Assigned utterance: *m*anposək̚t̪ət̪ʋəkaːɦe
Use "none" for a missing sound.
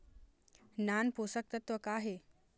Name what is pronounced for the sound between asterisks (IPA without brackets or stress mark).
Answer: n